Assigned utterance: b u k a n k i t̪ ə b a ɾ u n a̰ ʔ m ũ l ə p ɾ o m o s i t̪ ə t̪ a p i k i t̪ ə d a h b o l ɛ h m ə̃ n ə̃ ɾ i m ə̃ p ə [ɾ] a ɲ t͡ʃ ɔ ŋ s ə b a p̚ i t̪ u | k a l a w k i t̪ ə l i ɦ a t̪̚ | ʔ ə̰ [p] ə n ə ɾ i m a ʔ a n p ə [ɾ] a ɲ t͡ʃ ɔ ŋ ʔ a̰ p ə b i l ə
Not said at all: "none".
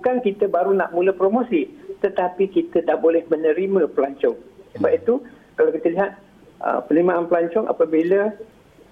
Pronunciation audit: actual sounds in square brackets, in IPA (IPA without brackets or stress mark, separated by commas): l, p, l